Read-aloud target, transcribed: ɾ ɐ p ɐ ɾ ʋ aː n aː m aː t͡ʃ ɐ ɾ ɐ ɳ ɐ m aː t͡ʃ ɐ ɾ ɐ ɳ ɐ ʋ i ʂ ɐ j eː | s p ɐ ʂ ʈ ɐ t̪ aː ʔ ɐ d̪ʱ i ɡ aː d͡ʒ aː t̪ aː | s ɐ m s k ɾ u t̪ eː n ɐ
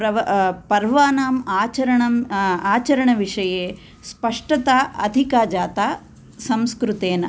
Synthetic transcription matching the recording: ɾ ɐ p ɐ ɾ ʋ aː n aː m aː t͡ʃ ɐ ɾ ɐ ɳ ɐ m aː t͡ʃ ɐ ɾ ɐ ɳ ɐ ʋ i ʂ ɐ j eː | s p ɐ ʂ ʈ ɐ t̪ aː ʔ ɐ d̪ʱ i k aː d͡ʒ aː t̪ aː | s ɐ m s k ɾ u t̪ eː n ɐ